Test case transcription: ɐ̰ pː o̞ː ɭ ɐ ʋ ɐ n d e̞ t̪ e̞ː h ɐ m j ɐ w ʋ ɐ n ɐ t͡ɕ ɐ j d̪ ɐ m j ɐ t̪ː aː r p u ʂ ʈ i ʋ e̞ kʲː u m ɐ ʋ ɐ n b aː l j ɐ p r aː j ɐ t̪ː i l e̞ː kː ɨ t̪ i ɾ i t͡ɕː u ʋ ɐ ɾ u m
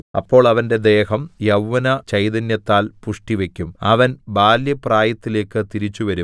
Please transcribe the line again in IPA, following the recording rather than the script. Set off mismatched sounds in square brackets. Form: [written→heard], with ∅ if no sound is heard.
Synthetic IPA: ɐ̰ pː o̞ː ɭ ɐ ʋ ɐ n d e̞ [t̪→d̪] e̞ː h ɐ m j ɐ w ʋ ɐ n ɐ t͡ɕ ɐ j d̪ ɐ [m→n] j ɐ t̪ː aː [r→l] p u ʂ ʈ i ʋ e̞ kʲː u m ɐ ʋ ɐ n b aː l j ɐ p r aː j ɐ t̪ː i l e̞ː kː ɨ t̪ i ɾ i t͡ɕː u ʋ ɐ ɾ u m

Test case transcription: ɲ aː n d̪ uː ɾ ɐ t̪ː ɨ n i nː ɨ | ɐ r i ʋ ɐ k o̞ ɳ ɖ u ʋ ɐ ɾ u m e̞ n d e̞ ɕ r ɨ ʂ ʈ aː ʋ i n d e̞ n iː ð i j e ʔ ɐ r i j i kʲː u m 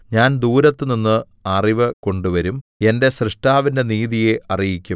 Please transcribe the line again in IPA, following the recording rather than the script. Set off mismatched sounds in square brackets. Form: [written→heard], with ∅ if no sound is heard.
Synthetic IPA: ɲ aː n d̪ uː ɾ ɐ t̪ː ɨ n i nː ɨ | ɐ r i ʋ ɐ k o̞ ɳ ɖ u ʋ ɐ ɾ u m e̞ n d e̞ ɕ r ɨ ʂ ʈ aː ʋ i n d e̞ n iː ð i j e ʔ ɐ r i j i kʲː u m

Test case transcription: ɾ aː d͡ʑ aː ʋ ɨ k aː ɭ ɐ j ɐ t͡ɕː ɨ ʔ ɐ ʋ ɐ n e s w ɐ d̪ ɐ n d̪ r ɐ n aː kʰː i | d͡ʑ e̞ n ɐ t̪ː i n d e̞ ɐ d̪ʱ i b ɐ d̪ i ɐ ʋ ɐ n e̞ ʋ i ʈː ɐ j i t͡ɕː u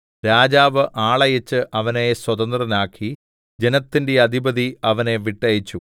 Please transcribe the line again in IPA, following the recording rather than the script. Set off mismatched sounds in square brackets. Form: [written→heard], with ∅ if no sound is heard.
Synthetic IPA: ɾ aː d͡ʑ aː ʋ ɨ [k→ʔ] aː ɭ ɐ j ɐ t͡ɕː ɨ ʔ ɐ ʋ ɐ n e s w ɐ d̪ ɐ n d̪ r ɐ n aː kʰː i | d͡ʑ e̞ n ɐ t̪ː i n d e̞ ɐ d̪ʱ i b ɐ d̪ i ɐ ʋ ɐ n e̞ ʋ i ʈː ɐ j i t͡ɕː u

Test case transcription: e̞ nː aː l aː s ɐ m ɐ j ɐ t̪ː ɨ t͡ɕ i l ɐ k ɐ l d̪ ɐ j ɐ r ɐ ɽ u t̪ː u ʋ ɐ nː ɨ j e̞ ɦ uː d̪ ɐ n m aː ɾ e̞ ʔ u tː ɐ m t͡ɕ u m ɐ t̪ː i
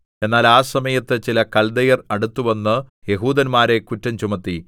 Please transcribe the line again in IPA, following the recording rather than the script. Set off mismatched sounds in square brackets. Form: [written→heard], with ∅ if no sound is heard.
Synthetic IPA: e̞ nː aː l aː s ɐ m ɐ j ɐ t̪ː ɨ t͡ɕ i l ɐ k ɐ l d̪ ɐ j ɐ r ɐ ɽ u t̪ː u ʋ ɐ nː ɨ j e̞ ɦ uː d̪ ɐ n m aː ɾ e̞ [ʔ→k] u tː ɐ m t͡ɕ u m ɐ t̪ː i

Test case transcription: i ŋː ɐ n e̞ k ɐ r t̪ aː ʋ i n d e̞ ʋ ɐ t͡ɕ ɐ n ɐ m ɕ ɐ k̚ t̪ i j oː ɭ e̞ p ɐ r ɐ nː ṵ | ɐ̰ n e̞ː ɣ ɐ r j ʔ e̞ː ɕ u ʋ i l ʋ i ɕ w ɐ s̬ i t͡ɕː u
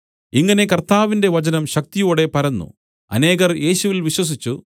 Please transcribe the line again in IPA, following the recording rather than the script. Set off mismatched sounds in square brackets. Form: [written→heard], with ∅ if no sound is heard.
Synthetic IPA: i ŋː ɐ n e̞ k ɐ r t̪ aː ʋ i n d e̞ ʋ ɐ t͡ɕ ɐ n ɐ m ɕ ɐ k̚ t̪ i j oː [ɭ→ɽ] e̞ p ɐ [r→ɾ] ɐ nː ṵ | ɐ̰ n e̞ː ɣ ɐ r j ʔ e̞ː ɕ u ʋ i l ʋ i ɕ w ɐ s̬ i t͡ɕː u

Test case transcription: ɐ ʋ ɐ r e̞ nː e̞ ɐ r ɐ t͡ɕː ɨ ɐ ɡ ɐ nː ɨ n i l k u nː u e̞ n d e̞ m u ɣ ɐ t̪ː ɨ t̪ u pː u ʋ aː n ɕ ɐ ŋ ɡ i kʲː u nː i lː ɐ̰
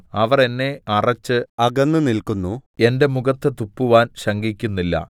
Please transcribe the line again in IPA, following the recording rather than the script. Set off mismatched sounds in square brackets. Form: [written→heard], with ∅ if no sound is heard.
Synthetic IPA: ɐ ʋ ɐ r e̞ nː e̞ ɐ r ɐ t͡ɕː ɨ ɐ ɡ ɐ nː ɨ n i l k u nː u e̞ n d e̞ m u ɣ ɐ t̪ː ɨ t̪ u pː u ʋ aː n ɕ ɐ ŋ ɡ i kʲː u nː i lː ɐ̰

